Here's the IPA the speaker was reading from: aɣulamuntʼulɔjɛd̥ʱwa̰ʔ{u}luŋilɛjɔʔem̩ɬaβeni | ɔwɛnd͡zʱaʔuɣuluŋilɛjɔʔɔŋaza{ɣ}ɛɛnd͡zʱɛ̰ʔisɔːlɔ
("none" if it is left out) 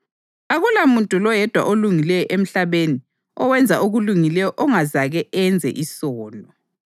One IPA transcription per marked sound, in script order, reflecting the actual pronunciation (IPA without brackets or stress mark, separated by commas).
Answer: o, ɣ